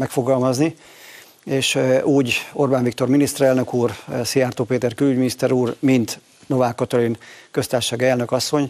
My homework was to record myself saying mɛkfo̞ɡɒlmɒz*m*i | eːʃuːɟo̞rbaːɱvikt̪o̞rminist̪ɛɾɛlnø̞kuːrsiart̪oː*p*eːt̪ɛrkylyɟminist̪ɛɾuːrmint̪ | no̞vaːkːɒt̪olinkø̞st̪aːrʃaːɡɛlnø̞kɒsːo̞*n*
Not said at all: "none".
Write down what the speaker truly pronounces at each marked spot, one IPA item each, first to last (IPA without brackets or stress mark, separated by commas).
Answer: n, p, ɲ